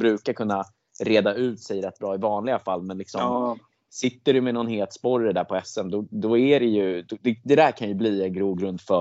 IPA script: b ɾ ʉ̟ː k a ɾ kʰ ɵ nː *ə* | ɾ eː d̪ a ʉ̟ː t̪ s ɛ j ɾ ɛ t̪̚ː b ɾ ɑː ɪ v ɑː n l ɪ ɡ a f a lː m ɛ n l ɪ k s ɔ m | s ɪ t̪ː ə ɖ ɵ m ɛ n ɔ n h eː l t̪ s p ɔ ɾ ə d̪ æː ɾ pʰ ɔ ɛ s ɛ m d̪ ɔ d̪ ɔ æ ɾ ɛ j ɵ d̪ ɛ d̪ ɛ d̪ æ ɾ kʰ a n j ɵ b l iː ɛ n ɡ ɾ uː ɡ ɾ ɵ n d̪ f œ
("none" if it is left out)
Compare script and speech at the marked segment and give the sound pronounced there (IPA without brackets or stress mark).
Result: a